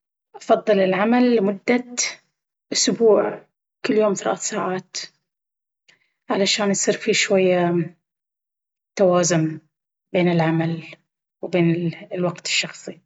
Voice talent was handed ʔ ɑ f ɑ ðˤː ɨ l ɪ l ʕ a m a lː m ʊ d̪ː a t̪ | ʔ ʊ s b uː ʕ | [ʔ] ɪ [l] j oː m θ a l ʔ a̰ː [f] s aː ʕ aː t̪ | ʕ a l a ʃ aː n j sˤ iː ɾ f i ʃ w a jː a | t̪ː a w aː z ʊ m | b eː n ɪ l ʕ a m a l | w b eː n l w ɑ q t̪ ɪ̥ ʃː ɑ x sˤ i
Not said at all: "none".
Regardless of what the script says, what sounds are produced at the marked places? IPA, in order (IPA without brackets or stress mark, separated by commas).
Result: k, lː, θ